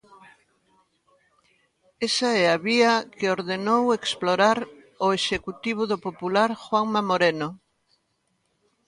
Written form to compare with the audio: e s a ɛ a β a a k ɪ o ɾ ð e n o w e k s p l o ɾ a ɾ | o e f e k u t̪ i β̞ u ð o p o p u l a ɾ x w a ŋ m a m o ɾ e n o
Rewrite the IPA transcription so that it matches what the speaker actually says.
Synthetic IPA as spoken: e s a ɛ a β i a k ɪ o ɾ ð e n o w e k s p l o ɾ a ɾ | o e ʃ e k u t̪ i β̞ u ð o p o p u l a ɾ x w a ŋ m a m o ɾ e n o